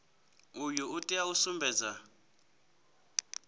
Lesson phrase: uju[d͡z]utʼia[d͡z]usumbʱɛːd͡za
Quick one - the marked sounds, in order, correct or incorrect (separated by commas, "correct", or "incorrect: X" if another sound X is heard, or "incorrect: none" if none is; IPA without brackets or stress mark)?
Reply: incorrect: none, incorrect: none